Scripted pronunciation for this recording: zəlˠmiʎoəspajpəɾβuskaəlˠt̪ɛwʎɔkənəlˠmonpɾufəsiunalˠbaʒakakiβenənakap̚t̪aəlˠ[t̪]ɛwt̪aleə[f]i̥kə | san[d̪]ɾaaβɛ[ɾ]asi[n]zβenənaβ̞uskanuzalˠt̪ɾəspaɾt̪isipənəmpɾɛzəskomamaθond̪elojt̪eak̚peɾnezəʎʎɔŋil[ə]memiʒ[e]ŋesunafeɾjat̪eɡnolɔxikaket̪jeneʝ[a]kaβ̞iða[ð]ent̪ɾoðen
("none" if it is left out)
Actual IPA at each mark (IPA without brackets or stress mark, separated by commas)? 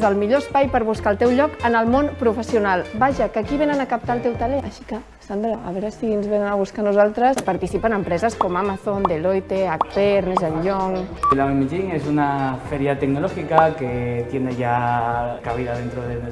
t̪, ʃ, d̪, ɾ, n, a, i, a, ð